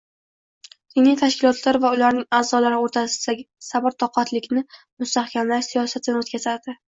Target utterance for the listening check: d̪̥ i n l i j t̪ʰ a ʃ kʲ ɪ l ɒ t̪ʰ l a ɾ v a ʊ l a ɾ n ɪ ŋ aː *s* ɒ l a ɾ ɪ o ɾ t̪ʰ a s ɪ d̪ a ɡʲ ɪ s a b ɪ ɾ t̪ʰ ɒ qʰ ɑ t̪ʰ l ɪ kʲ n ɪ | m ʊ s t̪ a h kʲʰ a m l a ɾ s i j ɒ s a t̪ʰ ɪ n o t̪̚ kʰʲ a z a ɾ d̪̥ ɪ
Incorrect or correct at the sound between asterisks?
incorrect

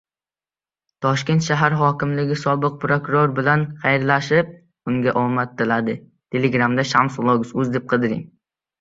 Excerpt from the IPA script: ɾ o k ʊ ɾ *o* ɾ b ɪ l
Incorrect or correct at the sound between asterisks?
correct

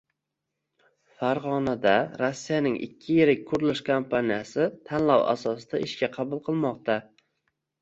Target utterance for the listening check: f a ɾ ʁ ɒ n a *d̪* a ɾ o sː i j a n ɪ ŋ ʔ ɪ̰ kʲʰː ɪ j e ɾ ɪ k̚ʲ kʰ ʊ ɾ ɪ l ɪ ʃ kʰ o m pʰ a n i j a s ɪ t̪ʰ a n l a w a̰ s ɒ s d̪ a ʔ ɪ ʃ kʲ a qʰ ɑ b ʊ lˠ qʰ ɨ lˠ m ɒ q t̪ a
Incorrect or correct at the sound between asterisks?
correct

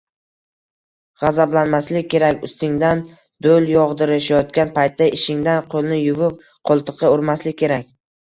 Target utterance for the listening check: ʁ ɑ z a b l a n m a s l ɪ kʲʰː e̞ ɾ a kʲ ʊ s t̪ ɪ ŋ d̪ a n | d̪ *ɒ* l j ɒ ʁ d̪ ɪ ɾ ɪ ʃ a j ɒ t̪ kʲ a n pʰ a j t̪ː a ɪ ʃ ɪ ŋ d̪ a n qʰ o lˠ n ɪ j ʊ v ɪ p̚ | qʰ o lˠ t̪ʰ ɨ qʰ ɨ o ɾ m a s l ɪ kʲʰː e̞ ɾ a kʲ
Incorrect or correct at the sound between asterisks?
incorrect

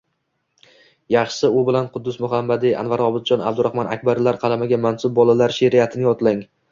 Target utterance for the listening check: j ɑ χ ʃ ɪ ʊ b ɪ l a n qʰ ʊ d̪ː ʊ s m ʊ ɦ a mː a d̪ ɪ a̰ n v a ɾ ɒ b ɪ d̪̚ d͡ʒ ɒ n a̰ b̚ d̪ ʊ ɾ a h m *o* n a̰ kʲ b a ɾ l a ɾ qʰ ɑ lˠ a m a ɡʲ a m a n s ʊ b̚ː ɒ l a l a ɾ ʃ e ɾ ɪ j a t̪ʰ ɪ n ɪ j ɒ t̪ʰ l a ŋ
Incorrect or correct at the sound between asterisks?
incorrect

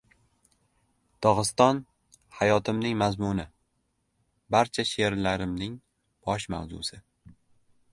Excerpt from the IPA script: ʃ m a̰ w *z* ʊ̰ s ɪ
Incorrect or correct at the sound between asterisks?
correct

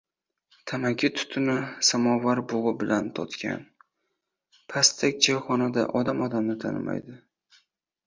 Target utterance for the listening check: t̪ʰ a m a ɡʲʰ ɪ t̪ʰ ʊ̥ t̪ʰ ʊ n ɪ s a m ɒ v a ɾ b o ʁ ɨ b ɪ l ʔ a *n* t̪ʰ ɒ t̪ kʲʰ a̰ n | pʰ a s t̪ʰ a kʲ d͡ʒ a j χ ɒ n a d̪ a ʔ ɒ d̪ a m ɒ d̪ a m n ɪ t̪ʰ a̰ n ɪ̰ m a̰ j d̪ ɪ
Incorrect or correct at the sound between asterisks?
correct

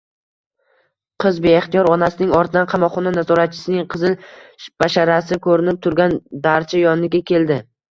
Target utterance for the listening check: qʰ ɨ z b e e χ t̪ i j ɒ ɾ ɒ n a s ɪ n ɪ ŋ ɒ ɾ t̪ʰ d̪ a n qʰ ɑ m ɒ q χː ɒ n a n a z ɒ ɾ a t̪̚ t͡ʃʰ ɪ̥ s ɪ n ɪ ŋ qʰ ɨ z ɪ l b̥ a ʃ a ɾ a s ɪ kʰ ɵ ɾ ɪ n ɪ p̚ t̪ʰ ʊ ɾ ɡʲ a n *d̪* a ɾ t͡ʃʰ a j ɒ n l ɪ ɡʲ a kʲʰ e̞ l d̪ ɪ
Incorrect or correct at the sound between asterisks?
correct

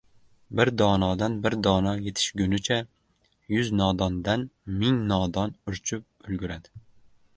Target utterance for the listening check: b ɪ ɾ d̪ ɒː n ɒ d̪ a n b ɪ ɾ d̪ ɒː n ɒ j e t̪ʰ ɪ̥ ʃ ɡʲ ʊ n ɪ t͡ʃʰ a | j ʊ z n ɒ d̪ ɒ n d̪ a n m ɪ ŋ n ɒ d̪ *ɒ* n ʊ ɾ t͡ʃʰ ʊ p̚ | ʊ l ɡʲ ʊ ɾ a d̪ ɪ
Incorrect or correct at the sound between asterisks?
correct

